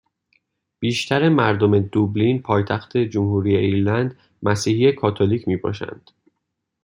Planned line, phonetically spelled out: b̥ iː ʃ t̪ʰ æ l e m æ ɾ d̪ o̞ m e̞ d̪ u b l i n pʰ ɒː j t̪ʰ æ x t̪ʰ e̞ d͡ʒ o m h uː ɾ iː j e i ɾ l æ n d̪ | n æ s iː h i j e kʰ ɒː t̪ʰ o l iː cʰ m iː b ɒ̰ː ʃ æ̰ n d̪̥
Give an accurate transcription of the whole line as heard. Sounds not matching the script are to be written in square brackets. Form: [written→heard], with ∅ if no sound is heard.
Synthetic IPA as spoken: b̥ iː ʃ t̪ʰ æ [l→ɾ] e m æ ɾ d̪ o̞ m e̞ d̪ u b l i n pʰ ɒː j t̪ʰ æ x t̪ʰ e̞ d͡ʒ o m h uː ɾ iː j e i ɾ l æ n d̪ | [n→m] æ s iː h i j e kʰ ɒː t̪ʰ o l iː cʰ m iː b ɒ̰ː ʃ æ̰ n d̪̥